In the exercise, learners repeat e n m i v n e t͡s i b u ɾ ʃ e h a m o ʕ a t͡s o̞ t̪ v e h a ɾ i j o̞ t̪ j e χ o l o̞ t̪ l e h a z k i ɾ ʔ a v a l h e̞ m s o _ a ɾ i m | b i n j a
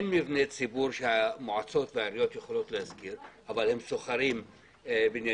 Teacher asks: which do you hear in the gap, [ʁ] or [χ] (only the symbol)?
χ